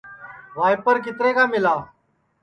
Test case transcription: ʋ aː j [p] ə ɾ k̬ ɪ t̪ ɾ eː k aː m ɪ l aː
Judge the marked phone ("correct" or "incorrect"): correct